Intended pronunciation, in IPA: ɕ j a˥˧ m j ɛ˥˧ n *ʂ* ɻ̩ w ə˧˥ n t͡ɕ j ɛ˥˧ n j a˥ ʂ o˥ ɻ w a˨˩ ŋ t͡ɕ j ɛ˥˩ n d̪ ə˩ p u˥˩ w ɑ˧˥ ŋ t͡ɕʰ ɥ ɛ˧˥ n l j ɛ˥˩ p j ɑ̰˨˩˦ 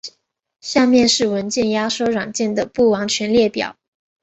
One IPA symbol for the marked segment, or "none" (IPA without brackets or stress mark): ʂ